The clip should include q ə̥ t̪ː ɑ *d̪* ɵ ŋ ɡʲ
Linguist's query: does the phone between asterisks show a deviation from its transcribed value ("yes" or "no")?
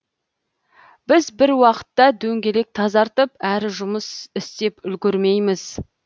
no